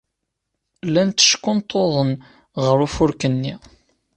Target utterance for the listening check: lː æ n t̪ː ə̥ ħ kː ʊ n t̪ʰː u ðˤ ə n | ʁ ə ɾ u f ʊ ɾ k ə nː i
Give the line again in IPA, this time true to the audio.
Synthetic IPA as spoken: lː æ n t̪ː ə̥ ʃ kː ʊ n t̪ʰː o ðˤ ə n | ʁ ə ɾ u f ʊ ɾ k ə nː i